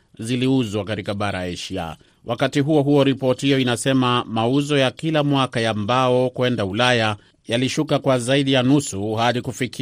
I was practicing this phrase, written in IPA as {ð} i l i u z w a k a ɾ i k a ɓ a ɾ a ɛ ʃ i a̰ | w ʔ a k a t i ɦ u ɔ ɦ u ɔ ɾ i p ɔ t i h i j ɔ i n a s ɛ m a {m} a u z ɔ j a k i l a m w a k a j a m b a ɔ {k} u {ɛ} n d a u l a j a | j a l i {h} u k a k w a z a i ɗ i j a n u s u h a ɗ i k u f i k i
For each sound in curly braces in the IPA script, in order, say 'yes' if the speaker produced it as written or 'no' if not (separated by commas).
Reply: no, yes, yes, yes, no